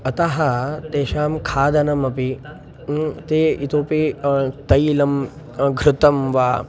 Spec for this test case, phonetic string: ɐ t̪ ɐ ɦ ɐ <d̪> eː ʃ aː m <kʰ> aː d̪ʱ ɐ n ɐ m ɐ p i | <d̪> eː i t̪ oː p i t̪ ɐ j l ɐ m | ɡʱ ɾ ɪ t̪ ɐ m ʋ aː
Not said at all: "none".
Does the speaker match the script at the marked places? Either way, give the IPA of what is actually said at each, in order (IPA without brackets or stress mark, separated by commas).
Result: t̪, kʰ, t̪